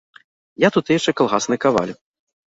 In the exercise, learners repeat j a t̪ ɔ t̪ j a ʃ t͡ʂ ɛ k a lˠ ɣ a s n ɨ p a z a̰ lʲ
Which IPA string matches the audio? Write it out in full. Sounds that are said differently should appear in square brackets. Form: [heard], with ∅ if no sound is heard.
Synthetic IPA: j a t̪ [u] t̪ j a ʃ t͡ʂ ɛ k a lˠ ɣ a s n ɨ [k] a [v] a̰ lʲ